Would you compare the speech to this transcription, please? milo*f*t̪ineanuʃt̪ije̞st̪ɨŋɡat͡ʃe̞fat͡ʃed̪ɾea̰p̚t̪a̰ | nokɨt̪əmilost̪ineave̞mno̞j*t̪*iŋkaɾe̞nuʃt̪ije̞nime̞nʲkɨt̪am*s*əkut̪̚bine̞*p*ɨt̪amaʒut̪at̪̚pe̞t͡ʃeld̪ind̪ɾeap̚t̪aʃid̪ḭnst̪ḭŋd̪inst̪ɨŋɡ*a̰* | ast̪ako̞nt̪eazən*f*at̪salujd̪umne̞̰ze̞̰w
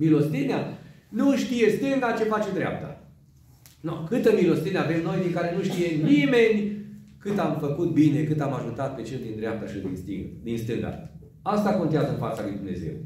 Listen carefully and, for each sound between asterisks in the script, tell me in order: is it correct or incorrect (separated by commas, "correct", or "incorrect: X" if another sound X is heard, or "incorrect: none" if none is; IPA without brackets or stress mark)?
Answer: incorrect: s, incorrect: d̪, incorrect: f, incorrect: k, correct, correct